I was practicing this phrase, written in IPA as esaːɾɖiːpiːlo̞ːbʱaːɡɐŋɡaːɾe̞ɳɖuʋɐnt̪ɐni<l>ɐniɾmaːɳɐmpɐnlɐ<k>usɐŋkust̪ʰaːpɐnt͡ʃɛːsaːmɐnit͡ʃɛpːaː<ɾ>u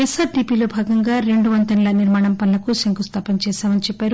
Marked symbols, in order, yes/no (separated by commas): yes, yes, yes